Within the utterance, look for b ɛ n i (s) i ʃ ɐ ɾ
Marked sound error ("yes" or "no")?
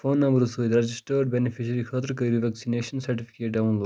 yes